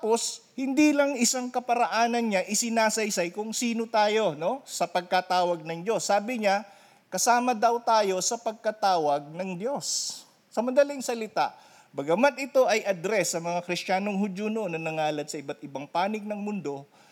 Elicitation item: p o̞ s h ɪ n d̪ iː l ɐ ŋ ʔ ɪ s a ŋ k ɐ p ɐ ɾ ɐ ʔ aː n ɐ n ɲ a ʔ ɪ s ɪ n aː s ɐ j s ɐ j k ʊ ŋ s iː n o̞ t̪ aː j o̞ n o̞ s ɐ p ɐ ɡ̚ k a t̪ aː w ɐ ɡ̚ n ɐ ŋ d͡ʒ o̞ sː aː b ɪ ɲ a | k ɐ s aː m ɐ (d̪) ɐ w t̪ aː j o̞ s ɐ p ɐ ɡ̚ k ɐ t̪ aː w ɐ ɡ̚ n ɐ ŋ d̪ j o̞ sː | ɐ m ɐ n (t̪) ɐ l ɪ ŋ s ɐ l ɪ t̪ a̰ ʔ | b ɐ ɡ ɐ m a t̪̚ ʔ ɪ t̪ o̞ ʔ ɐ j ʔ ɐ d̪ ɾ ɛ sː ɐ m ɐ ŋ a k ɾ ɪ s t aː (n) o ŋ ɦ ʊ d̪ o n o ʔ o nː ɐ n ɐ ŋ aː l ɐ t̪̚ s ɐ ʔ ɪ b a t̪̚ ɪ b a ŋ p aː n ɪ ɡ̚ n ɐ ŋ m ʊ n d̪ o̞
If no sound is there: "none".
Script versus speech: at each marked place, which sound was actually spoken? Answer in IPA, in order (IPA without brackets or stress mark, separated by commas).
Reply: d̪, d̪, n